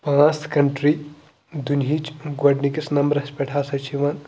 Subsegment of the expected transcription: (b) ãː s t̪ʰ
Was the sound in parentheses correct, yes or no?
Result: no